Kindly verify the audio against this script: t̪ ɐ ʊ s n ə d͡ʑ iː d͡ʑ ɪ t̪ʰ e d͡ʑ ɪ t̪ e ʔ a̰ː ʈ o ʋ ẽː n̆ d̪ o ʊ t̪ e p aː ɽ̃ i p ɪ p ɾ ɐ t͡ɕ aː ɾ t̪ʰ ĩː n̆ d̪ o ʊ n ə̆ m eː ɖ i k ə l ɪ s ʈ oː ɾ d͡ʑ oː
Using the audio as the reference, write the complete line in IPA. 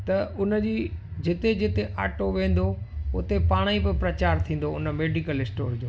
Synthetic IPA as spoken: t̪ ɐ ʊ n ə d͡ʑ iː d͡ʑ ɪ t̪ e d͡ʑ ɪ t̪ e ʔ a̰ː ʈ o ʋ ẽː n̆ d̪ o ʊ t̪ e p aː ɽ̃ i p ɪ p ɾ ɐ t͡ɕ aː ɾ t̪ʰ ĩː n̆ d̪ o ʊ n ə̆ m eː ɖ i k ə l ɪ s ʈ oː ɾ d͡ʑ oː